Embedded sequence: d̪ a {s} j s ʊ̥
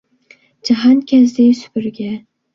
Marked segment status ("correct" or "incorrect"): incorrect